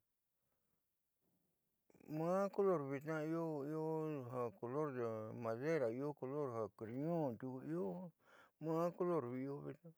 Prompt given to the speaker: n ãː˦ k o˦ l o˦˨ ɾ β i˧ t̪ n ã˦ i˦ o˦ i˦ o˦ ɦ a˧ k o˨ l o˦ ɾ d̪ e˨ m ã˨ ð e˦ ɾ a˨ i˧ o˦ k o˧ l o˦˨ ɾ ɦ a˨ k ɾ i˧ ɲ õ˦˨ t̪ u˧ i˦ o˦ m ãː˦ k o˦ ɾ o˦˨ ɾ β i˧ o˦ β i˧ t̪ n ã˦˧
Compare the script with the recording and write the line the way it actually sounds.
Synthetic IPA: m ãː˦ k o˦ l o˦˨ ɾ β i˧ t̪ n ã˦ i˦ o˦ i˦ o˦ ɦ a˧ k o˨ l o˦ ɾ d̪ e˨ m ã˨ ð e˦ ɾ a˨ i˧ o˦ k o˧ l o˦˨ ɾ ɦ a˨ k ɾ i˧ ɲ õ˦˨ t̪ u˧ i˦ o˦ m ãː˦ k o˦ l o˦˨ ɾ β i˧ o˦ β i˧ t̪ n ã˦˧

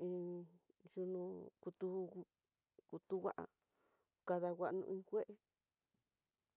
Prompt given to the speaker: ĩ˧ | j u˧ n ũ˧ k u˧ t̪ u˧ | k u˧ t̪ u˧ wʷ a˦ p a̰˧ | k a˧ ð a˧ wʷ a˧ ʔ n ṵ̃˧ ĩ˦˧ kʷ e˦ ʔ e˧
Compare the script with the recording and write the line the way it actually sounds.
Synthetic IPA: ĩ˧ | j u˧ n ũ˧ k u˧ t̪ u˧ | k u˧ t̪ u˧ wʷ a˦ ʔ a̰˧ | k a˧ ð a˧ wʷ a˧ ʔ n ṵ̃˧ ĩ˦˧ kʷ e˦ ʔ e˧

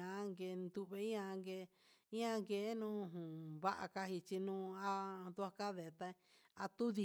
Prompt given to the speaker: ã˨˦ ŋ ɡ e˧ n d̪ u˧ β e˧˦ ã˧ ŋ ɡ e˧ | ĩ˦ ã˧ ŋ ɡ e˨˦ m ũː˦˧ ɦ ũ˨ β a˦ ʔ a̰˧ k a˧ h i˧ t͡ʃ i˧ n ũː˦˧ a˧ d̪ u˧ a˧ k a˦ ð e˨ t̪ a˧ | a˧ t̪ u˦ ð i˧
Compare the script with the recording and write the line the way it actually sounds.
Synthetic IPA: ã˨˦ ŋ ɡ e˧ n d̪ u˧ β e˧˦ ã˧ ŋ ɡ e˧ | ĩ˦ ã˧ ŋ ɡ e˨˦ n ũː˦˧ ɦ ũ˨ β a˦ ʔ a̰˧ k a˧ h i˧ t͡ʃ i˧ n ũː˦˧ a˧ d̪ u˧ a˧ k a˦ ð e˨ t̪ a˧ | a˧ t̪ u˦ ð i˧

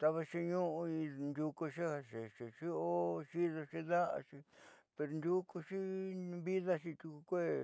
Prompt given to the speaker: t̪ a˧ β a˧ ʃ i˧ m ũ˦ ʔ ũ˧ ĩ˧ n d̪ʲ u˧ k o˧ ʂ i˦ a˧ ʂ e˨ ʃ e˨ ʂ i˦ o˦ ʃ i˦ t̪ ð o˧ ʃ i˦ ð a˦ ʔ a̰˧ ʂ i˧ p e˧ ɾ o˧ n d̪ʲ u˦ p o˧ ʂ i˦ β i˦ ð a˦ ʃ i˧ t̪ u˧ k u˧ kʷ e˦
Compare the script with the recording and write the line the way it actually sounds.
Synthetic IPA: t̪ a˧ β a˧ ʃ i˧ ɲ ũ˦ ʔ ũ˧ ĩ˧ n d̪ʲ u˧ k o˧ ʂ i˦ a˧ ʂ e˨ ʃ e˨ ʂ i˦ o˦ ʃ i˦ ð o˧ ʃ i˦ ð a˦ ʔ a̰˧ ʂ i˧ p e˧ ɾ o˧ n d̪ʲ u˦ k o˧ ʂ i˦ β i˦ ð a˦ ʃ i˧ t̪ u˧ k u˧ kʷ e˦

